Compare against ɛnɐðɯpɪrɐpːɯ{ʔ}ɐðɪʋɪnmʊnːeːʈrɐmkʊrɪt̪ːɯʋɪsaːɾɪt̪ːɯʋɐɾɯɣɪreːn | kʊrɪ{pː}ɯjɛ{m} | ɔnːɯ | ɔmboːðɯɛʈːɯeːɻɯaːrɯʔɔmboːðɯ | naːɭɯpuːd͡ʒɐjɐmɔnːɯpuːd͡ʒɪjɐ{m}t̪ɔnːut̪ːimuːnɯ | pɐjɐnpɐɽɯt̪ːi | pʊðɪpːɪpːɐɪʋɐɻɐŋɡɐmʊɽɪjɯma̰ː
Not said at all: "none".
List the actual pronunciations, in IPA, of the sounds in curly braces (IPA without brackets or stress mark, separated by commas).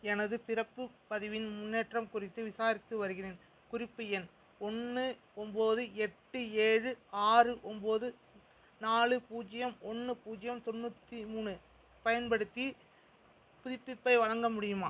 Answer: p, pː, n, m